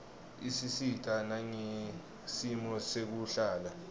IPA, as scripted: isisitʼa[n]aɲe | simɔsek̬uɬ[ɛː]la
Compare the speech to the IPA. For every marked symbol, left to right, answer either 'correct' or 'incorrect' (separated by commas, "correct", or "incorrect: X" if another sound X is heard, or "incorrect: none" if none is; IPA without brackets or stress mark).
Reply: correct, incorrect: aː